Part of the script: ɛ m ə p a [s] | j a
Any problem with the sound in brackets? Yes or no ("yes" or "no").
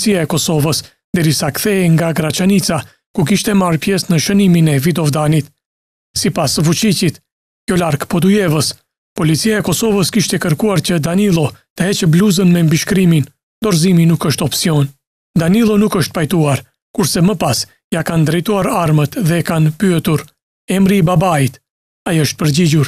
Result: no